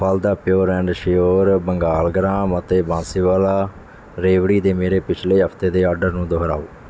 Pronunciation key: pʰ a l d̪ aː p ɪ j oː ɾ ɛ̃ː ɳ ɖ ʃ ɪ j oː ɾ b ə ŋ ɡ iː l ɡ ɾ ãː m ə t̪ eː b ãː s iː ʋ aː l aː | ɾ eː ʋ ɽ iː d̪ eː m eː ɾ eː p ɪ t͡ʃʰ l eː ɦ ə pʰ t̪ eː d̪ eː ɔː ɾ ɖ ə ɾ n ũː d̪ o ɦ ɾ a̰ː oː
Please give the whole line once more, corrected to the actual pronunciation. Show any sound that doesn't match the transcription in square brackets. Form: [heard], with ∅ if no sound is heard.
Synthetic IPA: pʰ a l d̪ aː p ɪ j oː ɾ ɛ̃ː ɳ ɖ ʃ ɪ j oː ɾ b ə ŋ ɡ [aː] l ɡ ɾ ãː m ə t̪ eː b ãː s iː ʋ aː l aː | ɾ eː ʋ ɽ iː d̪ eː m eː ɾ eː p ɪ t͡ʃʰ l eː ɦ ə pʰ t̪ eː d̪ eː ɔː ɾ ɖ ə ɾ n ũː d̪ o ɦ ɾ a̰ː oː